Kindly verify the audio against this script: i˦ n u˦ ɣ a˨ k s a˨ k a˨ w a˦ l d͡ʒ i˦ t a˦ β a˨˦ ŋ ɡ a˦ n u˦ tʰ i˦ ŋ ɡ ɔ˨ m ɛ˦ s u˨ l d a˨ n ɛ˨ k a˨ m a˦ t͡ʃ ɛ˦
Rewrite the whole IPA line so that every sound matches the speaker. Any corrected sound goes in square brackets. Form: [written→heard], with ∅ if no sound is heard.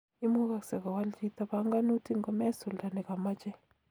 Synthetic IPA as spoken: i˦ [n→m] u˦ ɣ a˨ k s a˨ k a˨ w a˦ l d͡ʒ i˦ t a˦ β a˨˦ ŋ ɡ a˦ n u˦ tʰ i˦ ŋ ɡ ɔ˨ m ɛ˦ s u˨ l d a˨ n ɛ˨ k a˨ m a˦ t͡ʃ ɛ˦